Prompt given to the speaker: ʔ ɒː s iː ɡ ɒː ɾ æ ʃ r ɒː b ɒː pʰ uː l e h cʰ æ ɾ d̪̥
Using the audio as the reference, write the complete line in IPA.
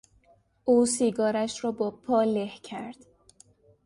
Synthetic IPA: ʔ uː s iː ɡ ɒː ɾ æ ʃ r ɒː b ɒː pʰ ɒː l e h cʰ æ ɾ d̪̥